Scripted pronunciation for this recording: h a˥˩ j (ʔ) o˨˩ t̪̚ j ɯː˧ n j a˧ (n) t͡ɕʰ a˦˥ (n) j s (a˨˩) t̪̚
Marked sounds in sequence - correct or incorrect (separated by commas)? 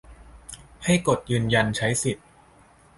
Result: incorrect, correct, incorrect, incorrect